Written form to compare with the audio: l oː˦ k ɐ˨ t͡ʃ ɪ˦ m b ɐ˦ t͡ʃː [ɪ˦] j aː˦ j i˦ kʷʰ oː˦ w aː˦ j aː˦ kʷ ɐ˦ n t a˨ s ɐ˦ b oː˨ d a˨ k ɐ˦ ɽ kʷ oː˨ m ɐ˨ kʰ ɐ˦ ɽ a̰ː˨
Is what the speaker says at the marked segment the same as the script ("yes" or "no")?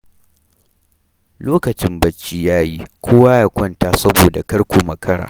no